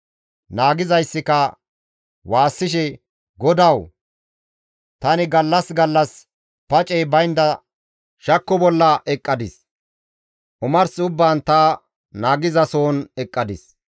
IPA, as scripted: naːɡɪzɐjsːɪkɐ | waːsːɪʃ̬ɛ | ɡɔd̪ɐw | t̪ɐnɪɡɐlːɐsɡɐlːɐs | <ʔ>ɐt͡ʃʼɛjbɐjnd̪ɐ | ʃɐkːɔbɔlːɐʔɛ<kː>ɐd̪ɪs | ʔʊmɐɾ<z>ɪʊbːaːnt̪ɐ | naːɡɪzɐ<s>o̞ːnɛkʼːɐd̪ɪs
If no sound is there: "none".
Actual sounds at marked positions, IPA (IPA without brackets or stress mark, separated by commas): p, kʼː, s, s